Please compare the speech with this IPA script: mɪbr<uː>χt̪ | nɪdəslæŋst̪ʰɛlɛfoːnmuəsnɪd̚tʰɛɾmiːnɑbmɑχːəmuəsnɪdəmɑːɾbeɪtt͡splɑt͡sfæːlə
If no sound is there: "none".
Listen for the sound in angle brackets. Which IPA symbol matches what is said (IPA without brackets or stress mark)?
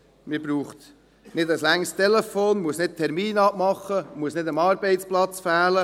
uː